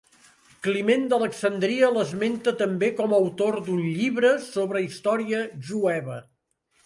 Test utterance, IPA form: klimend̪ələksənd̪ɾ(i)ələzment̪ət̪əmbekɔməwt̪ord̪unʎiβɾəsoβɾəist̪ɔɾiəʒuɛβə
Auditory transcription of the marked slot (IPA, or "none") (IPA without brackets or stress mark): i